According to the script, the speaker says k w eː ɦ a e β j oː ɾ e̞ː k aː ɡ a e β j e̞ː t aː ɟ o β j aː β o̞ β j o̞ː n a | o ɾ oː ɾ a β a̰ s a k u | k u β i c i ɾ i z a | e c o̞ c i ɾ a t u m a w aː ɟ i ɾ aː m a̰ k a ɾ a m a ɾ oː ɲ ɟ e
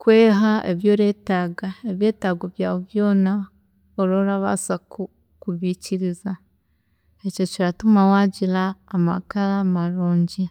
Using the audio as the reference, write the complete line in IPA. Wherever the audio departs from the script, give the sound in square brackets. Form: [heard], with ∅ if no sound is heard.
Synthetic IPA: k w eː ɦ a e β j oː ɾ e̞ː [t] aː ɡ a e β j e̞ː t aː [ɡ] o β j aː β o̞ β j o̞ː n a | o ɾ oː ɾ a β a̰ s a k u | k u β i c i ɾ i z a | e c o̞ c i ɾ a t u m a w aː ɟ i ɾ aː m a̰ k a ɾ a m a ɾ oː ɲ ɟ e